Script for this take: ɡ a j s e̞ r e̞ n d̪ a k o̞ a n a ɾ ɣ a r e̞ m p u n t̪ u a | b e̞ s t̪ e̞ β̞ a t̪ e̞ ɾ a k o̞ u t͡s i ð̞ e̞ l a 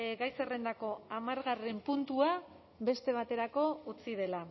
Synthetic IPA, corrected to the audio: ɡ a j s e̞ r e̞ n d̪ a k o̞ a m a ɾ ɣ a r e̞ m p u n t̪ u a | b e̞ s t̪ e̞ β̞ a t̪ e̞ ɾ a k o̞ u t͡s i ð̞ e̞ l a